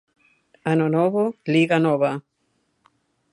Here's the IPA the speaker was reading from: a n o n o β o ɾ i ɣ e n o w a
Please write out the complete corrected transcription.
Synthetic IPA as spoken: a n o n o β o l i ɣ a n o β a

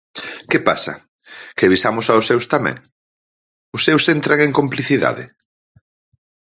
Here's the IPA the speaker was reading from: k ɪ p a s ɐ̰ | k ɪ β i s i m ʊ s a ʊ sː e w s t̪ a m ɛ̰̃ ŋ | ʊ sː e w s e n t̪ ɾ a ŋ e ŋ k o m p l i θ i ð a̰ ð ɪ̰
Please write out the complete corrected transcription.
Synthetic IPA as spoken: k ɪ p a s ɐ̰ | k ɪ β i s a m ʊ s a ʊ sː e w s t̪ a m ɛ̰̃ ŋ | ʊ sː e w s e n t̪ ɾ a ŋ e ŋ k o m p l i θ i ð a̰ ð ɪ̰

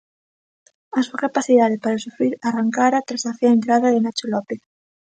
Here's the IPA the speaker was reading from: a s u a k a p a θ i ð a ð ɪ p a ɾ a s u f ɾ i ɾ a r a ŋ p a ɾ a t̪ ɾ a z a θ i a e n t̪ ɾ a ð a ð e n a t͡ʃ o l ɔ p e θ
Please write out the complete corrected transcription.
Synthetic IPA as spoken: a s u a k a p a θ i ð a ð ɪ p a ɾ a s u f ɾ i ɾ a r a ŋ k a ɾ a t̪ ɾ a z a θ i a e n t̪ ɾ a ð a ð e n a t͡ʃ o l ɔ p e θ

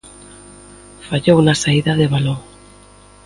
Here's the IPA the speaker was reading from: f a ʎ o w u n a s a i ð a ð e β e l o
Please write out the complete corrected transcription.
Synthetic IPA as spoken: f a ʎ o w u n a s a i ð a ð e β a l o

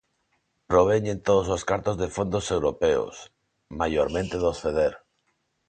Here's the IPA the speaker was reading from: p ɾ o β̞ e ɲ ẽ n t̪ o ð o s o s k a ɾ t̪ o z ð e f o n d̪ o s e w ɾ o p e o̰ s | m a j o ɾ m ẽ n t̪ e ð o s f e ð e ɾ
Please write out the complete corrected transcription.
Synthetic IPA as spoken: p ɾ o β̞ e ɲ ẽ n t̪ o ð o s o s k a ɾ t̪ o z ð e f o n d̪ o s e w ɾ o p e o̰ s | m a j o ɾ m ẽ n t̪ e ð o s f e ð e ɾ

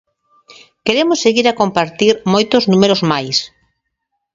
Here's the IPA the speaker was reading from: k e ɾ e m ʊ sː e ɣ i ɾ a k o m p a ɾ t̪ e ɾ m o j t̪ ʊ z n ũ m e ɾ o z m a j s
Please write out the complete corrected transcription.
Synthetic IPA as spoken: k e ɾ e m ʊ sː e ɣ i ɾ a k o m p a ɾ t̪ i ɾ m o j t̪ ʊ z n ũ m e ɾ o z m a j s

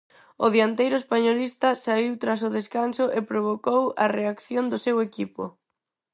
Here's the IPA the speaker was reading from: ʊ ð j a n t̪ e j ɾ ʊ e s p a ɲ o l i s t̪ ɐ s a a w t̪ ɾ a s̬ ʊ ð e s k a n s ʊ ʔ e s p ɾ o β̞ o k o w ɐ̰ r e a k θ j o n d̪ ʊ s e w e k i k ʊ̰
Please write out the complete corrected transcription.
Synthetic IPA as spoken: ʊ ð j a n t̪ e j ɾ ʊ e s p a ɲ o l i s t̪ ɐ s a i w t̪ ɾ a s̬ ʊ ð e s k a n s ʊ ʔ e p ɾ o β̞ o k o w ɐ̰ r e a k θ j o n d̪ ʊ s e w e k i p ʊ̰

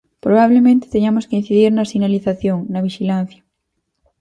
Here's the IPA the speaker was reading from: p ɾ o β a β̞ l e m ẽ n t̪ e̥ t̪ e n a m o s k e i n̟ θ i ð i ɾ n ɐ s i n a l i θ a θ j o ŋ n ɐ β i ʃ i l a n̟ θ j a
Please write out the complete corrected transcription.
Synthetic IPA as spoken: p ɾ o β a β̞ l e m ẽ n t̪ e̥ t̪ e ɲ a m o s k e i n̟ θ i ð i ɾ n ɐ s i n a l i θ a θ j o ŋ n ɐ β i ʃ i l a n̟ θ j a

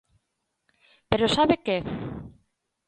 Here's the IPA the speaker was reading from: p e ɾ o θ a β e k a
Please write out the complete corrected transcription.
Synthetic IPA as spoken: p e ɾ o s a β e k e

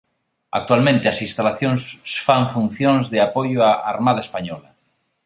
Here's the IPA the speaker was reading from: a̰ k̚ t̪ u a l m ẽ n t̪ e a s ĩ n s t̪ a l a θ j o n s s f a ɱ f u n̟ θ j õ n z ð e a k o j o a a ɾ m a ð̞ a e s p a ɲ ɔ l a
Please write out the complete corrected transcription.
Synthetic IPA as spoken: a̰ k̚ t̪ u a l m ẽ n t̪ e a s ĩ n s t̪ a l a θ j o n s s f a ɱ f u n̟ θ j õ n z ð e a p o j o a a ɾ m a ð̞ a e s p a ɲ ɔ l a

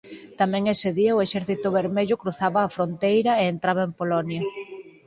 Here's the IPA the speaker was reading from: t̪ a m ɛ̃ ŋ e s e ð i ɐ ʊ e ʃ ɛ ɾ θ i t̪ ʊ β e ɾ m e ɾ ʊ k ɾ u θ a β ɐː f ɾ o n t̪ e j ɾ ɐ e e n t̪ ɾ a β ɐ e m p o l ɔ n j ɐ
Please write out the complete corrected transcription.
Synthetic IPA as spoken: t̪ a m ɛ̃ ŋ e s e ð i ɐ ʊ e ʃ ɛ ɾ θ i t̪ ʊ β e ɾ m e ʎ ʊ k ɾ u θ a β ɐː f ɾ o n t̪ e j ɾ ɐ e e n t̪ ɾ a β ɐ e m p o l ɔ n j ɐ

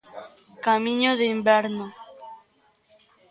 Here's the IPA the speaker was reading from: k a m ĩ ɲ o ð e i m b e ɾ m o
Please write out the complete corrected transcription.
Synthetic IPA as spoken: k a m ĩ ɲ o ð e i m b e ɾ n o

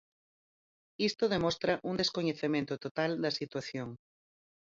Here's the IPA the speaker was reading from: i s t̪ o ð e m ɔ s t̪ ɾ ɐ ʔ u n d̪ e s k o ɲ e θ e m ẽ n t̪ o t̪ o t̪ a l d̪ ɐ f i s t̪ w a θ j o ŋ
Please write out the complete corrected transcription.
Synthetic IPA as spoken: i s t̪ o ð e m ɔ s t̪ ɾ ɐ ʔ u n d̪ e s k o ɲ e θ e m ẽ n t̪ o t̪ o t̪ a l d̪ ɐ s i t̪ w a θ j o ŋ

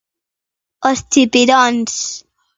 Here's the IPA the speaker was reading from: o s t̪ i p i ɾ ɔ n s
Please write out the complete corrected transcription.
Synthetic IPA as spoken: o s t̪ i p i ɾ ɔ n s

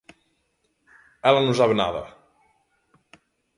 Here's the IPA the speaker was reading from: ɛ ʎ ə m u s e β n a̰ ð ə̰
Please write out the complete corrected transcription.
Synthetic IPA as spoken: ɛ l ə n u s a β n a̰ ð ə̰

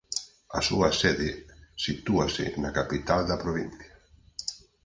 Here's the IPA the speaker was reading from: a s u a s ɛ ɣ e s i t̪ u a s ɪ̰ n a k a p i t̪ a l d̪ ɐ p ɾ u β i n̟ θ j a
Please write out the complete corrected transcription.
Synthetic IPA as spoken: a s u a s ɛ ð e s i t̪ u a s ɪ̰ n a k a p i t̪ a l d̪ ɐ p ɾ o β i n̟ θ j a

